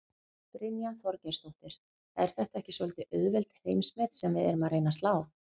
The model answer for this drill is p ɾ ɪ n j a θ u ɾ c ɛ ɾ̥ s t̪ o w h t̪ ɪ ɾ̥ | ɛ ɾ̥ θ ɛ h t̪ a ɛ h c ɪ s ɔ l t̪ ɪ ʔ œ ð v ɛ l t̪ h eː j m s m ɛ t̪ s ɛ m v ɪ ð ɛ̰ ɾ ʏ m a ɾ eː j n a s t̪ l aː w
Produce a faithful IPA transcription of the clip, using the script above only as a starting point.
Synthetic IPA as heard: p ɾ ɪ n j a θ ɔ ɾ c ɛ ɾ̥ s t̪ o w h t̪ ɪ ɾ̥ | ɛ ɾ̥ θ ɛ h t̪ a ɛ h c ɪ s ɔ l t̪ ɪ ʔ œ ð v ɛ l t̪ h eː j m s m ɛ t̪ s ɛ m v ɪ ð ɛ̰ ɾ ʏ m a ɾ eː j n a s t̪ l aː w